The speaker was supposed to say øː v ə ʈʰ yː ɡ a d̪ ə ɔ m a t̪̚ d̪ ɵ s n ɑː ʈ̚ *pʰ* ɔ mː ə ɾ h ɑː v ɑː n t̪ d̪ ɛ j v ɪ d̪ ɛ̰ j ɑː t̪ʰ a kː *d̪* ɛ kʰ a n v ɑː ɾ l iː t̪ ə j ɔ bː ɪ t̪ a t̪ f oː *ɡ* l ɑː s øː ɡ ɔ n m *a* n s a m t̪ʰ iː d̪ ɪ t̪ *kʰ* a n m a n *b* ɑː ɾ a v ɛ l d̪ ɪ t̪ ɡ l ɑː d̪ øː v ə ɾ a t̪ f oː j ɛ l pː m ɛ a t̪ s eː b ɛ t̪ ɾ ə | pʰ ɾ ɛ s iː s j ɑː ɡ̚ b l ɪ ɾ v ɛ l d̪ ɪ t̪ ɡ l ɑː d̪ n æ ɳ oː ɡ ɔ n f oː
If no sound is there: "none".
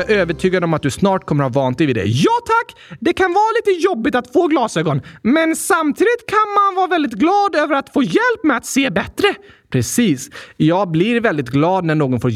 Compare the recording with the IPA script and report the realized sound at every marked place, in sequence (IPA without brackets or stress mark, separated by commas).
kʰ, d̪, ɡ, ɛ, kʰ, v